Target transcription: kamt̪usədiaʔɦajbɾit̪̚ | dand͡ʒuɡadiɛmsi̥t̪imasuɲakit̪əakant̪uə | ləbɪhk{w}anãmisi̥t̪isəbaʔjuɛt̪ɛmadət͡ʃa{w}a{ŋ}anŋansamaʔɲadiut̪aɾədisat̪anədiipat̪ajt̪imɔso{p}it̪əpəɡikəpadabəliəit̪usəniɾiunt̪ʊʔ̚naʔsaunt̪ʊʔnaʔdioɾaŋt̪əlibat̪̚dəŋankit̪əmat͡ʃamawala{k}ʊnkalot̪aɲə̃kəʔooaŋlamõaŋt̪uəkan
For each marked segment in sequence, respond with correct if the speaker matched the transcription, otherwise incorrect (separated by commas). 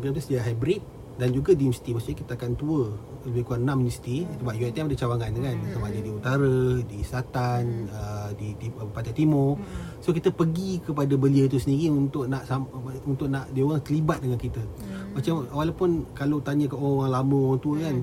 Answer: incorrect, correct, correct, incorrect, incorrect